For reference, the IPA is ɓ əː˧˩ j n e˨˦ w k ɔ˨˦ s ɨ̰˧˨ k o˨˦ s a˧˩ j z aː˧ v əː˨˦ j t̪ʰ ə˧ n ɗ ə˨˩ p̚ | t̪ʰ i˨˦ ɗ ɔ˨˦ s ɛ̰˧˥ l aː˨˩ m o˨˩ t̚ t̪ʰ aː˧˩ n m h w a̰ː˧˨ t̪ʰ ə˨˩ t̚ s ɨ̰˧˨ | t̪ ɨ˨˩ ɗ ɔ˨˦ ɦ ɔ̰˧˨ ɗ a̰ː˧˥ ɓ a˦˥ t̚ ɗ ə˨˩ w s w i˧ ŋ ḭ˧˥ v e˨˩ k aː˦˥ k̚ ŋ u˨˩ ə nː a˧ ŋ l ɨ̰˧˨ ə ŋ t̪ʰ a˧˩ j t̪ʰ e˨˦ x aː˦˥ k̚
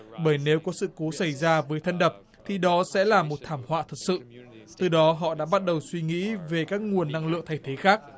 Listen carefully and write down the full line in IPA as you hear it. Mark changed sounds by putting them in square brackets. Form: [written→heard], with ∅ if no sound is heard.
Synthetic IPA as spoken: ɓ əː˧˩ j n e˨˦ w k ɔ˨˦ s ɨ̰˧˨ k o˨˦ s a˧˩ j z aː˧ v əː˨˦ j t̪ʰ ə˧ n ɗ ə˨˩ p̚ | t̪ʰ [i˨˦→i˨˩] ɗ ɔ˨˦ s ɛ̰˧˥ l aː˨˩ m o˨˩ t̚ t̪ʰ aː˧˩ [n→∅] m h w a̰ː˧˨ t̪ʰ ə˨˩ t̚ s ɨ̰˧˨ | t̪ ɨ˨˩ ɗ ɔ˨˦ ɦ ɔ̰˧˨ ɗ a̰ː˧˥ ɓ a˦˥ t̚ ɗ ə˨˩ w s w i˧ ŋ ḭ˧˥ v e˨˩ k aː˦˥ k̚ ŋ u˨˩ ə nː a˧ ŋ l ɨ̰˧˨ ə ŋ t̪ʰ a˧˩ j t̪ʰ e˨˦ x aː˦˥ k̚